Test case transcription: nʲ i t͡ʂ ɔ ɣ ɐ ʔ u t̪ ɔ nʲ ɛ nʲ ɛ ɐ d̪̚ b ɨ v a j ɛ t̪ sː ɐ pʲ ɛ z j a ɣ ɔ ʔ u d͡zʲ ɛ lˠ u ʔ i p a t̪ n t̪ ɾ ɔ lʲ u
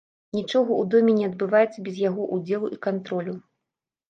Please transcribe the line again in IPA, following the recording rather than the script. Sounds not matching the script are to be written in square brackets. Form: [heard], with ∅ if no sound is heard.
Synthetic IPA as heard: nʲ i t͡ʂ ɔ ɣ ɐ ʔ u [d̪] ɔ [mʲ] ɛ nʲ ɛ ɐ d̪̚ b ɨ v a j ɛ t̪ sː ɐ [bʲ] ɛ z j a ɣ ɔ ʔ u d͡zʲ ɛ lˠ u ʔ i [k] a [∅] n t̪ ɾ ɔ lʲ u